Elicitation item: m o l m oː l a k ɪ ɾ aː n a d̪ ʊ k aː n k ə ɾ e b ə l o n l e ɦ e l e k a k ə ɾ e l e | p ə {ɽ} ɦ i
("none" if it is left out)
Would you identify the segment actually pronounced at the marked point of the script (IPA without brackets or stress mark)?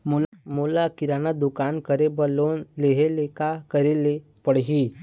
ɽ